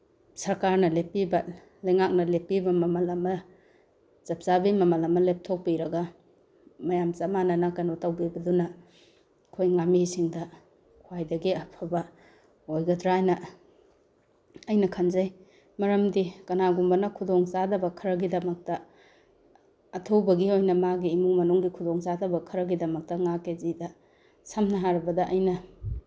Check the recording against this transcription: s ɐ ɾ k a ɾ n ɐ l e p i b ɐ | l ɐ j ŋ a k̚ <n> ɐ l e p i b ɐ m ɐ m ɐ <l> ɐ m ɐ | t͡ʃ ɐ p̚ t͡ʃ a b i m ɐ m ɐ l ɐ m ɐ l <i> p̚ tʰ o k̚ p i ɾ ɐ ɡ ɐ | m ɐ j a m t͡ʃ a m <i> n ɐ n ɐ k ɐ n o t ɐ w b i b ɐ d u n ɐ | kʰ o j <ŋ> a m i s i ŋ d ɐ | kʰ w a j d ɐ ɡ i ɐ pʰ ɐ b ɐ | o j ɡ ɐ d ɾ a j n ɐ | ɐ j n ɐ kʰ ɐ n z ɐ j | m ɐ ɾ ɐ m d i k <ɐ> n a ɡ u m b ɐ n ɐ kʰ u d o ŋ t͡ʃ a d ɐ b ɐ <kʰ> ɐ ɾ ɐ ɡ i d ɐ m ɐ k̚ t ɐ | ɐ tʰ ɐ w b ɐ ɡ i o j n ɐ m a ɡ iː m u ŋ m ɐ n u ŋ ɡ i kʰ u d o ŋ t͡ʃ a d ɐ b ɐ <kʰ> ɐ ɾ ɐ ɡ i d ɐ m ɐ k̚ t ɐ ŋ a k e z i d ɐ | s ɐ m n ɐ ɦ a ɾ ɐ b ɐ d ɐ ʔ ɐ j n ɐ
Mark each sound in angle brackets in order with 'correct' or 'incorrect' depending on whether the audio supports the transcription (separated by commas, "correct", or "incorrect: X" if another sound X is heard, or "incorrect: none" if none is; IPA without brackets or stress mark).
correct, correct, incorrect: e, incorrect: a, correct, correct, correct, correct